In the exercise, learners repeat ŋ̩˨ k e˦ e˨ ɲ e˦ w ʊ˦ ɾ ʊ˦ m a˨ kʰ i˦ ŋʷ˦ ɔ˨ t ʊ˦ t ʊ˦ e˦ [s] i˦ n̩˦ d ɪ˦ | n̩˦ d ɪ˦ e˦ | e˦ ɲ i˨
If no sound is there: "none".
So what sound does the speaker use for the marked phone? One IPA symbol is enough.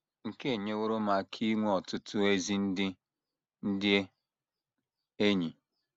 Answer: z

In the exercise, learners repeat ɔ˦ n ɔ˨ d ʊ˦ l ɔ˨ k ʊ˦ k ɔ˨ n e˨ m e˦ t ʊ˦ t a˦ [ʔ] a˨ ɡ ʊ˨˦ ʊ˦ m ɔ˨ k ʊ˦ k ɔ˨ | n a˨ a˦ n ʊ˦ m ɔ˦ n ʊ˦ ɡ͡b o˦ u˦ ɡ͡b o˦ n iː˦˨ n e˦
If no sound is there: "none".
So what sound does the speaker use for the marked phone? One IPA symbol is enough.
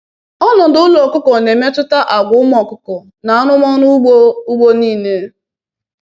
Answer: ʔ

